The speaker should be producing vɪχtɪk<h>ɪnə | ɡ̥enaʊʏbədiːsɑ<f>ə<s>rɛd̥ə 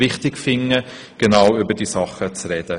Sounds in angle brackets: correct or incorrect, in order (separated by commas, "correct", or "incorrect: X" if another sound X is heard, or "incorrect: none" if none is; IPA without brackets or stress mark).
incorrect: f, incorrect: χ, incorrect: t͡s